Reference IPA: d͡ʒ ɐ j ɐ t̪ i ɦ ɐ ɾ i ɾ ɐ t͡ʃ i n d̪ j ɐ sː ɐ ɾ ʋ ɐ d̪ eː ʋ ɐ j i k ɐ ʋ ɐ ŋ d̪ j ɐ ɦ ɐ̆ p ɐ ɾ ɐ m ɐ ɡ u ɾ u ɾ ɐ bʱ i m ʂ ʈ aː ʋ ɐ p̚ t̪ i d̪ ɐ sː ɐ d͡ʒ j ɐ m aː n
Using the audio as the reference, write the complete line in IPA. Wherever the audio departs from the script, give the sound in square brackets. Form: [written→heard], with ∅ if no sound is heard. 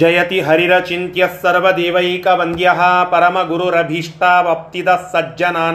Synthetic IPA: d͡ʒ ɐ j ɐ t̪ i ɦ ɐ ɾ i ɾ ɐ t͡ʃ i n [d̪→t̪] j ɐ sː ɐ ɾ ʋ ɐ d̪ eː ʋ ɐ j i k ɐ ʋ ɐ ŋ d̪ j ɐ ɦ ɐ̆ p ɐ ɾ ɐ m ɐ ɡ u ɾ u ɾ ɐ bʱ i [m→∅] ʂ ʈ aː ʋ ɐ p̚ t̪ i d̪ ɐ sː ɐ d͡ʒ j ɐ [m→n] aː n